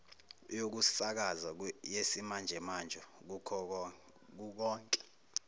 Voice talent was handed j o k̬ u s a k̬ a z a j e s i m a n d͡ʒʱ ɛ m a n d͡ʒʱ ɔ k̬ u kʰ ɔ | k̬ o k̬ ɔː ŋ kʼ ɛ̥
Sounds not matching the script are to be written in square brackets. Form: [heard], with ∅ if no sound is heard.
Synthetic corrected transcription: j o k̬ u s a k̬ a z a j e s i m a n d͡ʒʱ ɛ m a n d͡ʒʱ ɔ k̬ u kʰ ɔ | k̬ [u] k̬ ɔː ŋ kʼ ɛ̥